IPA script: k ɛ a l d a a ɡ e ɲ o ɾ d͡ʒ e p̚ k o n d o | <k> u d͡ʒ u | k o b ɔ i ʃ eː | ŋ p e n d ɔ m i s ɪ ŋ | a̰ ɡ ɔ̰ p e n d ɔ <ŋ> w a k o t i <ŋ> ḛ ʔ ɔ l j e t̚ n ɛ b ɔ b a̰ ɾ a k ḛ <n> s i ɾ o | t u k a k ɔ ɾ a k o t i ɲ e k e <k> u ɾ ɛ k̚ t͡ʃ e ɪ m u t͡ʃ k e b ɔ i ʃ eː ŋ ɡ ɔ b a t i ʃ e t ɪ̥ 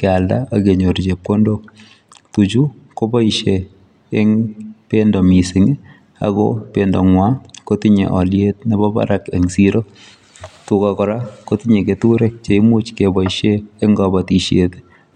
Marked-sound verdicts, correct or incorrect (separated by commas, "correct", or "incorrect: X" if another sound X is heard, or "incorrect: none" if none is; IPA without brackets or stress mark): incorrect: t, correct, incorrect: ɲ, incorrect: ŋ, incorrect: t